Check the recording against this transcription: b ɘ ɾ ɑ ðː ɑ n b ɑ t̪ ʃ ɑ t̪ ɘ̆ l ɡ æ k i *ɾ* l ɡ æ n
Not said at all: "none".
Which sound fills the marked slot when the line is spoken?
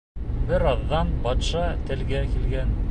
none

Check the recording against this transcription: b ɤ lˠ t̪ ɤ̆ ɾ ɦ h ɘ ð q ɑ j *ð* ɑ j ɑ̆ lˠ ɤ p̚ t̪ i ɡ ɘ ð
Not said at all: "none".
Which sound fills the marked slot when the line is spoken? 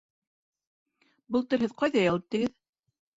ð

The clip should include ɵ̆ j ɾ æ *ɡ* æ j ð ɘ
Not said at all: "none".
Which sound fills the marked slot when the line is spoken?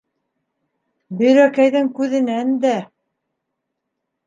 k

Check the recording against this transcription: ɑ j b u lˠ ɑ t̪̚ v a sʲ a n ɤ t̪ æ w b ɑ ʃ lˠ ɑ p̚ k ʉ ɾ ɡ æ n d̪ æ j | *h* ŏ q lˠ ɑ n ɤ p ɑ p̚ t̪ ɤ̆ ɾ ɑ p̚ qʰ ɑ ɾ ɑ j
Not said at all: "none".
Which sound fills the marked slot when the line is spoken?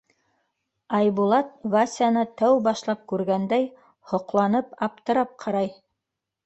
h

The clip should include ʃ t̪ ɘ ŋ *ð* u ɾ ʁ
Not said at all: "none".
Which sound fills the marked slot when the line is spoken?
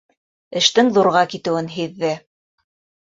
ð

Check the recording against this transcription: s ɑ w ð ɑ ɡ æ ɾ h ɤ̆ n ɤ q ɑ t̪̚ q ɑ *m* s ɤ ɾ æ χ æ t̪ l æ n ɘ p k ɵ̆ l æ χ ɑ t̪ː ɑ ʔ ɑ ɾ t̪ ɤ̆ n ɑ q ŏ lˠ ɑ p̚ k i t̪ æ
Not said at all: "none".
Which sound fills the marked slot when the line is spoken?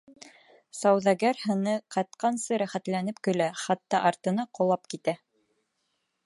n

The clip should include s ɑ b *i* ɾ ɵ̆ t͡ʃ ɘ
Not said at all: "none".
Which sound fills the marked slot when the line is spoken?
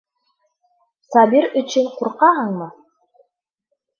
i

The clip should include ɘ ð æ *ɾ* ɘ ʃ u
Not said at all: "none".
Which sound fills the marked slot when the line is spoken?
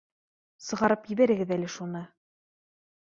l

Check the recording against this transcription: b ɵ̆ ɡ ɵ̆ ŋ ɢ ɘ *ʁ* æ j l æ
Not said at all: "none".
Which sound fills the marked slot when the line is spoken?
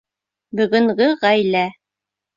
ʁ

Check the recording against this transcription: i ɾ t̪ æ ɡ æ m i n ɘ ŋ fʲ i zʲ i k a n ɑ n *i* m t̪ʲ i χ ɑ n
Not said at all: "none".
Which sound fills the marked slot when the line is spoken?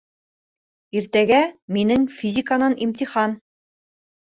i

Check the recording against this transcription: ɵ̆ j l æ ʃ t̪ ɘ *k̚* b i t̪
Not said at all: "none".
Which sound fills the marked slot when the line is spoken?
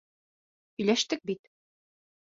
k̚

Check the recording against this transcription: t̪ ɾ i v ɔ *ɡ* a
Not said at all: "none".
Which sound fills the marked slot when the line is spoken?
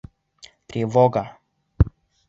ɡ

